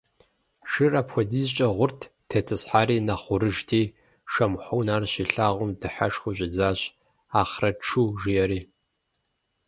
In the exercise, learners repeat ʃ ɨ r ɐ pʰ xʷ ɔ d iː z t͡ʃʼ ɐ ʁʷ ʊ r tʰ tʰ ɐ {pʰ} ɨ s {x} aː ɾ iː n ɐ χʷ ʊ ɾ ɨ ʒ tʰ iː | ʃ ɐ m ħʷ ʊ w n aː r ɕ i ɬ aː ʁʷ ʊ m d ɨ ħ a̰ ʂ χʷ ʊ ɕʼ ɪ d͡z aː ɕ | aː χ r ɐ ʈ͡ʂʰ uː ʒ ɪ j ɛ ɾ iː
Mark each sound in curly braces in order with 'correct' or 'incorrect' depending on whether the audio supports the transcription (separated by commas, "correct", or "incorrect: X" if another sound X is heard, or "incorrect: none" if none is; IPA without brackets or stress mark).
incorrect: tʰ, incorrect: ħ